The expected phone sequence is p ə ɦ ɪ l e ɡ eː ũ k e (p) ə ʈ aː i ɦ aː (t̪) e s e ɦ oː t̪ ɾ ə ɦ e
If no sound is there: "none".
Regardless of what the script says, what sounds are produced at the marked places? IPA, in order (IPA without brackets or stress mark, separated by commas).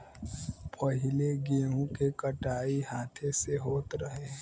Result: k, t̪ʰ